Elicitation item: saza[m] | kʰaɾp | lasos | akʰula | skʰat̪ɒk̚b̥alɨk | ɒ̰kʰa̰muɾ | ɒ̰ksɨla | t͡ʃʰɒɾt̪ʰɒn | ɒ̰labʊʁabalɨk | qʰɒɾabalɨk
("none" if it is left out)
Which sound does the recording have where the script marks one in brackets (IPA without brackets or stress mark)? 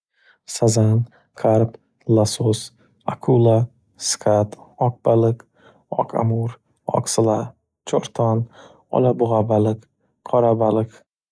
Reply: n